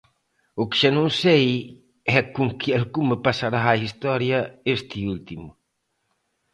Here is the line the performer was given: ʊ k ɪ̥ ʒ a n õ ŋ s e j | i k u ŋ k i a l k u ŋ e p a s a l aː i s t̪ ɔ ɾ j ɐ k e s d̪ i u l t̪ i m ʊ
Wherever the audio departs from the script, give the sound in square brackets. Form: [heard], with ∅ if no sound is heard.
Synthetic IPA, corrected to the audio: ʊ k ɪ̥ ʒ a n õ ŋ s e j | [ɛ] k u ŋ k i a l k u [m] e p a s a [ɾ] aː i s t̪ ɔ ɾ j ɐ [∅] e s [t̪] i u l t̪ i m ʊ